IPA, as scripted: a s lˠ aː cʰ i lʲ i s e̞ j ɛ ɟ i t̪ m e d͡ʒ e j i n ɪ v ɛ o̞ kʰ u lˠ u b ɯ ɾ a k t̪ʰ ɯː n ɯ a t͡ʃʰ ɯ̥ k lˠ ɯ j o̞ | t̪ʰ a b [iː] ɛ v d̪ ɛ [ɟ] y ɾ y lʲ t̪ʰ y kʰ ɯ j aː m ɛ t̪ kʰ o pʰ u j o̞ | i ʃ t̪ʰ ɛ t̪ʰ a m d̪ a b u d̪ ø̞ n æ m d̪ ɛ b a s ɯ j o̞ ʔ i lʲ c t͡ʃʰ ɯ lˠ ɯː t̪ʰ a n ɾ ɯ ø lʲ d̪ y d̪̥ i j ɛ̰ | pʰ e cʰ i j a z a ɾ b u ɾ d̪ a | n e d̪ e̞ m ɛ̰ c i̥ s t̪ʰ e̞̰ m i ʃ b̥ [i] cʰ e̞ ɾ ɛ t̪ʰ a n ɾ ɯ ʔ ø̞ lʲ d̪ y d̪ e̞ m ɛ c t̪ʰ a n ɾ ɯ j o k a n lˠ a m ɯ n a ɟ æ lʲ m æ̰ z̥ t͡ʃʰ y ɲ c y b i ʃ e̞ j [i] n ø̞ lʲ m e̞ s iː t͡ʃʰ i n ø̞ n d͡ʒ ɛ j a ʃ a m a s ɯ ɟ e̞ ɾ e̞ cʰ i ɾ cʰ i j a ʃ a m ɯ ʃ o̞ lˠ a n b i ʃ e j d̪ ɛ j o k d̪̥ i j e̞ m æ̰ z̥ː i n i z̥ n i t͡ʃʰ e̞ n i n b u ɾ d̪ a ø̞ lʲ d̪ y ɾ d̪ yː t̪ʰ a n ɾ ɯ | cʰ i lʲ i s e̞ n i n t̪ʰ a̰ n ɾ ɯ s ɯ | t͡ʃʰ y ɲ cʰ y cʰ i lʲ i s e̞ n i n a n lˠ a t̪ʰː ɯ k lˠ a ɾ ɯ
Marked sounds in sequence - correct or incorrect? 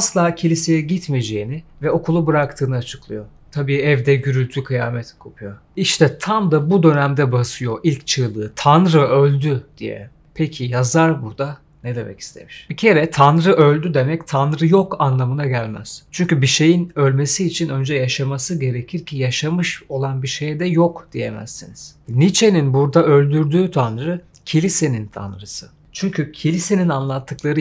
correct, correct, correct, correct

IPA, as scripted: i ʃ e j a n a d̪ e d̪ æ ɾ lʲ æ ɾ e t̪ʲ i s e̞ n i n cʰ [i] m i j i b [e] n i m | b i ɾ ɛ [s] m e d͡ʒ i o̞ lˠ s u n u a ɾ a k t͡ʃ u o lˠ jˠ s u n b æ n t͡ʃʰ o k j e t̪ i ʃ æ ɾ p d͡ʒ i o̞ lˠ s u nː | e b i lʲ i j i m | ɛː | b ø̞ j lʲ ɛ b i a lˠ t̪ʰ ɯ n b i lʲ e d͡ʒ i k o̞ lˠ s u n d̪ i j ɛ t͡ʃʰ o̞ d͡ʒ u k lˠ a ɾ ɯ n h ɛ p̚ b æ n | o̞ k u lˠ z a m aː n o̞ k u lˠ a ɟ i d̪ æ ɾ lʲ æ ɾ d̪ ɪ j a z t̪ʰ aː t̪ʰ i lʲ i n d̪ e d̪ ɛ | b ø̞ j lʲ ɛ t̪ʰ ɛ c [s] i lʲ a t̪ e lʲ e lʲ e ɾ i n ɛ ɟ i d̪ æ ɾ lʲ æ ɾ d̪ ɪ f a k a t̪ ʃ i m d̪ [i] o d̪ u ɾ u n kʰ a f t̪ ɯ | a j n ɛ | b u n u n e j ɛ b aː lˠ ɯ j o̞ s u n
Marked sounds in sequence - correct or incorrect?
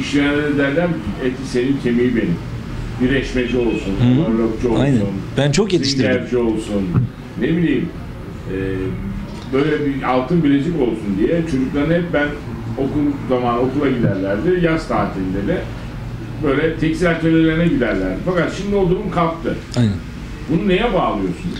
incorrect, correct, incorrect, correct, correct

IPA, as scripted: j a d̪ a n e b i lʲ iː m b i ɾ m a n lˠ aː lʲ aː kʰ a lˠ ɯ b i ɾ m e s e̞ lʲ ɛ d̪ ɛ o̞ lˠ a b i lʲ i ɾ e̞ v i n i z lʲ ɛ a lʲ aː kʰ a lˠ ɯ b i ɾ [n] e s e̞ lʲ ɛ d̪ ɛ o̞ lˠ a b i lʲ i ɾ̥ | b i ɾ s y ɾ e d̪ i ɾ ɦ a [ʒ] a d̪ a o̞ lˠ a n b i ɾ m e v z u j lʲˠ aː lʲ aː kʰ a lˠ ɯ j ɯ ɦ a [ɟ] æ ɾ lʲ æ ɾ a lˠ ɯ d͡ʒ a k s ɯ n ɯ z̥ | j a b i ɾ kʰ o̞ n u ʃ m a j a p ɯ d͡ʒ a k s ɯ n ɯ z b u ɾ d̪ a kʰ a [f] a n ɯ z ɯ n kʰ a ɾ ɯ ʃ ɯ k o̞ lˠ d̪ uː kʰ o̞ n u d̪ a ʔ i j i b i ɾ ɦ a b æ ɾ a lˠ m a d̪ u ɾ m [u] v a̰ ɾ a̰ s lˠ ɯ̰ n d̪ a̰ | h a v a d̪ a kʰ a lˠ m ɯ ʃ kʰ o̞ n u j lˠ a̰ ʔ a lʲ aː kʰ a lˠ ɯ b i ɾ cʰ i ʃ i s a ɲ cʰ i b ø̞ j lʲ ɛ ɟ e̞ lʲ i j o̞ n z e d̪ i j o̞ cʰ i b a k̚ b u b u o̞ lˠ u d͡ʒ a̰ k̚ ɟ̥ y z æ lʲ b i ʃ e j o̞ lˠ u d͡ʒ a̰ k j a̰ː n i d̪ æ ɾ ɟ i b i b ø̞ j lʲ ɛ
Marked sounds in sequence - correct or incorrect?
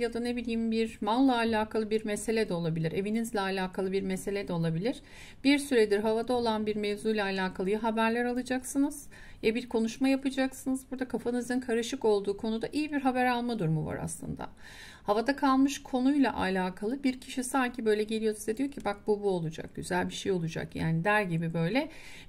incorrect, incorrect, incorrect, correct, correct

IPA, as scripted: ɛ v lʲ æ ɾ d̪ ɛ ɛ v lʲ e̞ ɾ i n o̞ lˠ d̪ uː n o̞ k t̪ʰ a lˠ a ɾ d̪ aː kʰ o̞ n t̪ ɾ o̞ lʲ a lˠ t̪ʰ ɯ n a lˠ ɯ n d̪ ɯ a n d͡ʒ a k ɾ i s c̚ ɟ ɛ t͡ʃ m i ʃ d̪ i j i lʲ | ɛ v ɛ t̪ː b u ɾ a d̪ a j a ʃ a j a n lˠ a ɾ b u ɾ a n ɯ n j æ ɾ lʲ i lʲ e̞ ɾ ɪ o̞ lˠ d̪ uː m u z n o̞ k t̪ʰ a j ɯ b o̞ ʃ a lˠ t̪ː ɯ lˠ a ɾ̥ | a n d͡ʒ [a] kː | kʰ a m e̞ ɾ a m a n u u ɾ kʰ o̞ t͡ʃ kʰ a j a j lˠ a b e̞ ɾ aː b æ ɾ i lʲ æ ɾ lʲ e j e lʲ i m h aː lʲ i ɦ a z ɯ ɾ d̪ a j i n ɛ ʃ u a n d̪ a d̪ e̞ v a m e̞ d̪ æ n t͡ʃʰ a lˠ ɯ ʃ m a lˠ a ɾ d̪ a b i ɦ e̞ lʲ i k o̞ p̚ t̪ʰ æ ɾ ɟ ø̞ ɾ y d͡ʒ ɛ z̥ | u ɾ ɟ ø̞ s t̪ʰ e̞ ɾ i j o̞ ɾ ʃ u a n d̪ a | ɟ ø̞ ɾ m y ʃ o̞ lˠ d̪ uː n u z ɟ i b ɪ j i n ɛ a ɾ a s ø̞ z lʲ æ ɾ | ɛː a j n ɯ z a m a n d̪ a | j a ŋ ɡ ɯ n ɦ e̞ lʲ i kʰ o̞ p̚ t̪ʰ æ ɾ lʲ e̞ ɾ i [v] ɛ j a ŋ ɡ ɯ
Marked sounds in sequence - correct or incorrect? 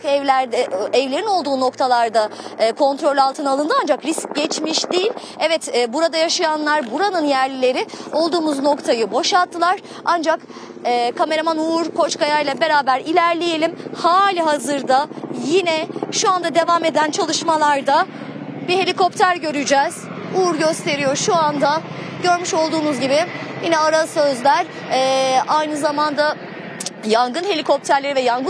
correct, correct

